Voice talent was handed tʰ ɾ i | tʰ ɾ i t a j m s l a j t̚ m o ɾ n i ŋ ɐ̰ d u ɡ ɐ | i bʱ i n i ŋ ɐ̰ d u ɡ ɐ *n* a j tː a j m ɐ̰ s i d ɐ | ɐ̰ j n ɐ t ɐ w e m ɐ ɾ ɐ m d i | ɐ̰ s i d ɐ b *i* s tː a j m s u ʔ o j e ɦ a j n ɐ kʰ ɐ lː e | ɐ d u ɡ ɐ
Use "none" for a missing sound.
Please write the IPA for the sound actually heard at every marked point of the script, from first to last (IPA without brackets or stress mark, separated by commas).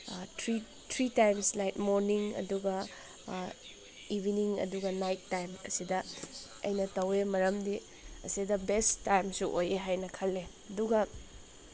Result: n, e